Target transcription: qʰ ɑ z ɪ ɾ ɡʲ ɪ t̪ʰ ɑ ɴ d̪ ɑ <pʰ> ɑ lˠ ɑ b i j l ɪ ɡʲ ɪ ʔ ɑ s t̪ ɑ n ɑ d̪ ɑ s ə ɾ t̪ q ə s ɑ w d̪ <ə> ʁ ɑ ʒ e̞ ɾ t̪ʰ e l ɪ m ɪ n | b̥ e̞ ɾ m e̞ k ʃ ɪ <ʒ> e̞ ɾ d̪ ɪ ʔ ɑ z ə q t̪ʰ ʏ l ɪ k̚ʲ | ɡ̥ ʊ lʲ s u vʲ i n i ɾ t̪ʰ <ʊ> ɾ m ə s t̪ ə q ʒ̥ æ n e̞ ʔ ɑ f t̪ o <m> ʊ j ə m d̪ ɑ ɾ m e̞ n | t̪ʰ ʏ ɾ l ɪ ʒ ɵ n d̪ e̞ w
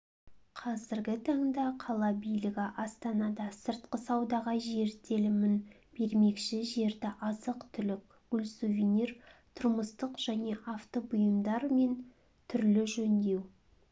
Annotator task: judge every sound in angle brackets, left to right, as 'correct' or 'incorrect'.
incorrect: qʰ, incorrect: ɑ, correct, correct, incorrect: b

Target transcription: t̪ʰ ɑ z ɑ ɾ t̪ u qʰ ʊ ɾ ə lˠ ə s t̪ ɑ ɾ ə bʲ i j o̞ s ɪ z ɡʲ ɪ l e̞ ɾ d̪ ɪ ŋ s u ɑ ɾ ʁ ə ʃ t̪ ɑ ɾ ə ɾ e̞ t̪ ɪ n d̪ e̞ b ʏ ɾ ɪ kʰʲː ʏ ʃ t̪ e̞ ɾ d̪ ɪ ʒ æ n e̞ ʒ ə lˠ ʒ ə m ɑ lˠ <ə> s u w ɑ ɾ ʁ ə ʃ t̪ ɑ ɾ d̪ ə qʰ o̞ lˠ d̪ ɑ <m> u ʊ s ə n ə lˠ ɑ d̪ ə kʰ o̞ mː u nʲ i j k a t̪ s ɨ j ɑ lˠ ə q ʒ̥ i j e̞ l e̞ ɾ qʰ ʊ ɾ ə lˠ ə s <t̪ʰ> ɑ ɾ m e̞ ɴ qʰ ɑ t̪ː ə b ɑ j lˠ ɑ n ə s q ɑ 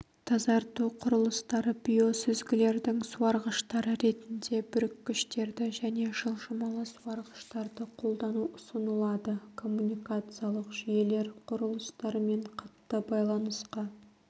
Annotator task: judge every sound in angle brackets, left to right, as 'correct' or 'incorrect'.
correct, incorrect: n, incorrect: t̪

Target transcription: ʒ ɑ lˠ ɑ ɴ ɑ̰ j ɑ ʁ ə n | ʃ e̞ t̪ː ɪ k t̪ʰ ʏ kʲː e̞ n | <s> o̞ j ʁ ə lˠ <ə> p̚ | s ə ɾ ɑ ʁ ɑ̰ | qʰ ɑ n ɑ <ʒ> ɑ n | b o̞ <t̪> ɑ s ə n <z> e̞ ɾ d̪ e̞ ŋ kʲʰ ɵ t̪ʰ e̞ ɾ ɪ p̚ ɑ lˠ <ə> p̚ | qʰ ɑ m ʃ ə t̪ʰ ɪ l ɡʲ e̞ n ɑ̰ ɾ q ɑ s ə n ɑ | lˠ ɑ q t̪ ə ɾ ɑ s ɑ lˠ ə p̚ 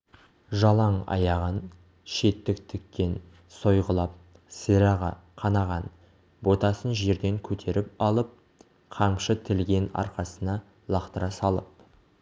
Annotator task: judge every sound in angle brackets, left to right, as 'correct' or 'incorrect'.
correct, incorrect: ɑ, incorrect: ʁ, correct, incorrect: ʒ, correct

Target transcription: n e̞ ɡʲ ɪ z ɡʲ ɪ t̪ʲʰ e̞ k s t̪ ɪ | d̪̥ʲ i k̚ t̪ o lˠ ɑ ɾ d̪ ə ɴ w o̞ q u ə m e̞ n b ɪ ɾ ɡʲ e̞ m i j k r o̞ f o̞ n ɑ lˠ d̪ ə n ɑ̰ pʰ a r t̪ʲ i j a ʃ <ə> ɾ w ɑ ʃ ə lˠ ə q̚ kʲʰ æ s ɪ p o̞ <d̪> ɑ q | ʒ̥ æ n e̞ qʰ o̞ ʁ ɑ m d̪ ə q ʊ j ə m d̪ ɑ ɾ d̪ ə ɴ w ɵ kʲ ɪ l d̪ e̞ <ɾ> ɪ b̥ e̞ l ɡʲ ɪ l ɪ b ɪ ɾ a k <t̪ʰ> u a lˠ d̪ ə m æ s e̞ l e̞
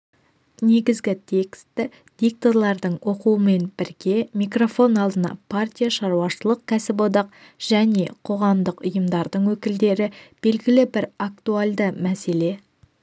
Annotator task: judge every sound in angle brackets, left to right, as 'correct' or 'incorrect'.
incorrect: ɑ, correct, correct, incorrect: t̪

